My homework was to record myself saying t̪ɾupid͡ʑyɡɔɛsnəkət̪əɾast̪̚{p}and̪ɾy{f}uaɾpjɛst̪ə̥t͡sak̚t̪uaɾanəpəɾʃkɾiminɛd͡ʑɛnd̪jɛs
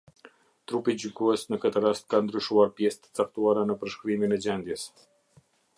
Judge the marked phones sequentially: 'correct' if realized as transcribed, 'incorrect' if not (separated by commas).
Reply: incorrect, incorrect